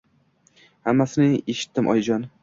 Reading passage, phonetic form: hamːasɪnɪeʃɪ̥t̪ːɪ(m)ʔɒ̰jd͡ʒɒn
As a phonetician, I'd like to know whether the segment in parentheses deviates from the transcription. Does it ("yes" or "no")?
no